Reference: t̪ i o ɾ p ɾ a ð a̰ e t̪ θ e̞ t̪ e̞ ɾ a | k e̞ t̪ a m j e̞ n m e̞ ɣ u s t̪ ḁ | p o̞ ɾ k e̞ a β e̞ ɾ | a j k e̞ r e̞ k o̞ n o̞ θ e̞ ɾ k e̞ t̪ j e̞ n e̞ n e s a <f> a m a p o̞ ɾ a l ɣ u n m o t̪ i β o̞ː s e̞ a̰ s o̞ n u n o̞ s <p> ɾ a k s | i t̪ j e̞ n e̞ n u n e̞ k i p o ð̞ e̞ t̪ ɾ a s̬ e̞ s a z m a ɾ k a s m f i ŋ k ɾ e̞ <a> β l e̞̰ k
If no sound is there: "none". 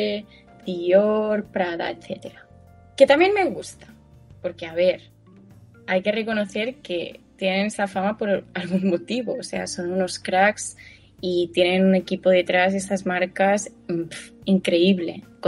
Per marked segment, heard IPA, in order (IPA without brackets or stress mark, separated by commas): f, k, i